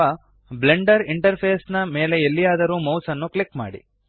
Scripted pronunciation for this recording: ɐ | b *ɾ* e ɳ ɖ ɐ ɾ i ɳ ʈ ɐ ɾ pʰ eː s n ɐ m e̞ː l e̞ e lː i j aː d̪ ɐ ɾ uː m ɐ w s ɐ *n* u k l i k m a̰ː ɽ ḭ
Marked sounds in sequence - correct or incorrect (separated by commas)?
incorrect, incorrect